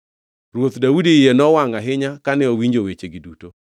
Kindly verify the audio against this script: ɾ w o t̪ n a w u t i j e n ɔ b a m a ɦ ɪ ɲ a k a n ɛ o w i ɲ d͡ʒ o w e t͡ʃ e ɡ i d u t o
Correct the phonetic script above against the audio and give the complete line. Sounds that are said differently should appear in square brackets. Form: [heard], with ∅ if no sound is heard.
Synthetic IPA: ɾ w o t̪ [d] a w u [d] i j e n ɔ [w] a [ŋ] a ɦ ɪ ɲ a k a n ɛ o w i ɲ d͡ʒ o w e t͡ʃ e ɡ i d u t o